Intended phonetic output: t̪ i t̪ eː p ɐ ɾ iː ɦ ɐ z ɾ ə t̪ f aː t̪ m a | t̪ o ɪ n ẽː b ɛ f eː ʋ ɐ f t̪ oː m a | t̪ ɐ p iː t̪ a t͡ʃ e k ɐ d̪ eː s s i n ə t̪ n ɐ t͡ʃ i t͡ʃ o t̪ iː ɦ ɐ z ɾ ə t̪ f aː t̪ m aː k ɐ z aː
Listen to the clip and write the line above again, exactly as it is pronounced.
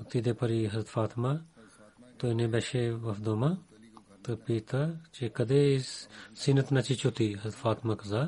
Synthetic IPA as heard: t̪ i d̪ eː p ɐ ɾ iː ɦ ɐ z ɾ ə t̪ f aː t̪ m a | t̪ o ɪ n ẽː b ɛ ʃ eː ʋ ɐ f d̪ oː m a | t̪ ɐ p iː t̪ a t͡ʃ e k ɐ d̪ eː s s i n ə t̪ n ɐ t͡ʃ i t͡ʃ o t̪ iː ɦ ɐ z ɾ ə t̪ f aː t̪ m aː k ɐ z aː